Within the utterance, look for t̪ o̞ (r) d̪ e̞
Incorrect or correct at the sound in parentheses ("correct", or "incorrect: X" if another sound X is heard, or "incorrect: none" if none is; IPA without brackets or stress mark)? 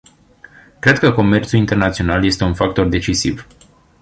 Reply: correct